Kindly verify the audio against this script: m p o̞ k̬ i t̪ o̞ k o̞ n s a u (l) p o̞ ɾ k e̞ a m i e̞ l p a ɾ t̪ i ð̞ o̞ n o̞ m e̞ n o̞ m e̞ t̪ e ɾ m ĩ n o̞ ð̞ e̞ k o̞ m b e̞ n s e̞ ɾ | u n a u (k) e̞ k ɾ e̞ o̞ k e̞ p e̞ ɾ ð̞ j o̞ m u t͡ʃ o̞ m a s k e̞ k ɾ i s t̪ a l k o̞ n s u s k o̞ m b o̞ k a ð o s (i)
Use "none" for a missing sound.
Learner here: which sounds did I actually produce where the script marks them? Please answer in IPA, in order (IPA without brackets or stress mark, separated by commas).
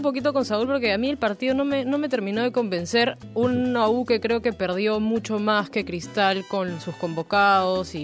l, k, i